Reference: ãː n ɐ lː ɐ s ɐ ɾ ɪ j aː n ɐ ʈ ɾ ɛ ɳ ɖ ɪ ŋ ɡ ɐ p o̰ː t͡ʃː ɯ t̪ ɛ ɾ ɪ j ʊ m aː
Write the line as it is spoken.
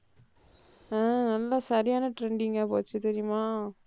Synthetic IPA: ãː n ɐ lː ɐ s ɐ ɾ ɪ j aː n ɐ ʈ ɾ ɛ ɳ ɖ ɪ ŋ ɡ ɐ p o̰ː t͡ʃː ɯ t̪ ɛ ɾ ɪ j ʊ m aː

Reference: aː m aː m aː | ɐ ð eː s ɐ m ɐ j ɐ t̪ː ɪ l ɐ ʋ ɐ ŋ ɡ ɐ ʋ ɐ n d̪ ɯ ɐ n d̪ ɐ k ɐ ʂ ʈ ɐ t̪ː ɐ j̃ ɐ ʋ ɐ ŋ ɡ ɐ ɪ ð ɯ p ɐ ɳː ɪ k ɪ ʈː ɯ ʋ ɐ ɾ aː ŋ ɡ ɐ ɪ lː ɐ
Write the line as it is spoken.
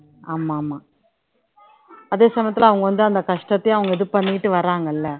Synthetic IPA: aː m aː m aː | ɐ ð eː s ɐ m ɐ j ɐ t̪ː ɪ l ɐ ʋ ɐ ŋ ɡ ɐ ʋ ɐ n d̪ ɯ ɐ n d̪ ɐ k ɐ ʂ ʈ ɐ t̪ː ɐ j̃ ɐ ʋ ɐ ŋ ɡ ɐ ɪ ð ɯ p ɐ ɳː ɪ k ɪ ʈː ɯ ʋ ɐ ɾ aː ŋ ɡ ɐ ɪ lː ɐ

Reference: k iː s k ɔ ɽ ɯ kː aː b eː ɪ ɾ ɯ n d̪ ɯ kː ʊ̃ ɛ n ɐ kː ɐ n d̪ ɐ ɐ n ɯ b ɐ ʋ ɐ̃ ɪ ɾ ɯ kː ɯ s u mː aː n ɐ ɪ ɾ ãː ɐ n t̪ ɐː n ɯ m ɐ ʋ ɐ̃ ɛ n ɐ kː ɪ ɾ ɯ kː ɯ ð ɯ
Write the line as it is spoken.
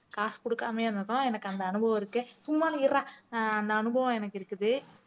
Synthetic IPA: k aː s k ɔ ɽ ɯ kː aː m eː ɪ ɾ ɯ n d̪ ɯ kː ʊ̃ ɛ n ɐ kː ɐ n d̪ ɐ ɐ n ɯ b ɐ ʋ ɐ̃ ɪ ɾ ɯ kː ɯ s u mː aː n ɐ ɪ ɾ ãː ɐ n d̪ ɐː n ɯ b ɐ ʋ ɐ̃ ɛ n ɐ kː ɪ ɾ ɯ kː ɯ ð ɯ

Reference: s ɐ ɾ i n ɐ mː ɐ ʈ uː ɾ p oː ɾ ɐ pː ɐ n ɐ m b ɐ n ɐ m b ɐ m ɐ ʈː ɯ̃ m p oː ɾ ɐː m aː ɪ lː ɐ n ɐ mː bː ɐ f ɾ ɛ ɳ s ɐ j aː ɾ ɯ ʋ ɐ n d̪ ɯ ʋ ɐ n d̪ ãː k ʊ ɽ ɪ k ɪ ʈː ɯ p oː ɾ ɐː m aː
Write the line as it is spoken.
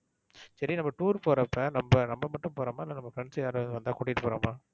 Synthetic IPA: s ɐ ɾ i n ɐ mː ɐ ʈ uː ɾ p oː ɾ ɐ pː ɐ n ɐ m b ɐ n ɐ m b ɐ m ɐ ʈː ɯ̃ m p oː ɾ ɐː m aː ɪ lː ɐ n ɐ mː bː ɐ f ɾ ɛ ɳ s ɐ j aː ɾ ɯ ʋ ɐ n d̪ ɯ ʋ ɐ n d̪ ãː k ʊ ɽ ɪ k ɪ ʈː ɯ p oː ɾ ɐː m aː

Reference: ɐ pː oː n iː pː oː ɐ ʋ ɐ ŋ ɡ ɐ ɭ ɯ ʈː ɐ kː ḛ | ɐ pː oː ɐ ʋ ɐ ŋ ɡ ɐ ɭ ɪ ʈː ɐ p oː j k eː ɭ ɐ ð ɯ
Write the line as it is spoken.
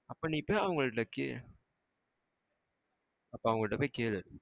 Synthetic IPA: ɐ pː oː n iː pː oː ɐ ʋ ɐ ŋ ɡ ɐ ɭ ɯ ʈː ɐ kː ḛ | ɐ pː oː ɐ ʋ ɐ ŋ ɡ ɐ ɭ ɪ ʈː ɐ p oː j k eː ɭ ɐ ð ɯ

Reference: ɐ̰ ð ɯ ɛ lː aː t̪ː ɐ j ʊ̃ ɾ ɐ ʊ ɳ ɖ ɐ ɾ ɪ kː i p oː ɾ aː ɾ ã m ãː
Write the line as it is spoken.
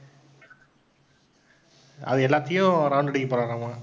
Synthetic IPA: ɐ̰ ð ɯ ɛ lː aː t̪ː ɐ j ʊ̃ ɾ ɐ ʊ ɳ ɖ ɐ ɽ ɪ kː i p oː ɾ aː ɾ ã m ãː

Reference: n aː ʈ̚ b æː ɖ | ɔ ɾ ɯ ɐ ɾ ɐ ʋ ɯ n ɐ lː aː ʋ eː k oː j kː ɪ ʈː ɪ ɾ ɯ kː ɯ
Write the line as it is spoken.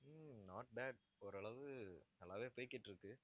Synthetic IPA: n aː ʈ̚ b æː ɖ | ɔ ɾ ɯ ɐ ɭ ɐ ʋ ɯ n ɐ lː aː ʋ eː p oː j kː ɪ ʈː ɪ ɾ ɯ kː ɯ

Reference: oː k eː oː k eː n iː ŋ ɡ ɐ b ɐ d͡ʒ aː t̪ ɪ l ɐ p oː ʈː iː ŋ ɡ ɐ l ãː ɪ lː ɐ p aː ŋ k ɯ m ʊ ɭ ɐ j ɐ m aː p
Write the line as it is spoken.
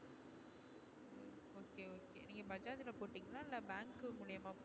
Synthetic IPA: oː k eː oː k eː n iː ŋ ɡ ɐ b ɐ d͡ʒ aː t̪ ɪ l ɐ p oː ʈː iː ŋ ɡ ɐ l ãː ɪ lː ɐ b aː ŋ k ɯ m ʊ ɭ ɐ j ɐ m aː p

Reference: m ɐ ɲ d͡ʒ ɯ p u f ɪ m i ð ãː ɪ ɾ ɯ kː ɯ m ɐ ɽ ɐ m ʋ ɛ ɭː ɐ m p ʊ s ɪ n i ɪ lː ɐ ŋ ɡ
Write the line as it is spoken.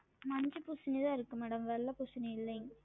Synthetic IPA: m ɐ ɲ d͡ʒ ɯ p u s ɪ n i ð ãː ɪ ɾ ɯ kː ɯ m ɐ ɽ ɐ m ʋ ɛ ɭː ɐ p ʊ s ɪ n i ɪ lː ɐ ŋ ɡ

